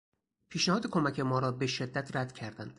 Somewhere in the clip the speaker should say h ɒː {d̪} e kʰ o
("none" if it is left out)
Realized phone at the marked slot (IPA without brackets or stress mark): d̪